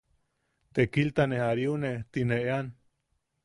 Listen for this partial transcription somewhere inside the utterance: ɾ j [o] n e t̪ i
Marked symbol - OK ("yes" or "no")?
no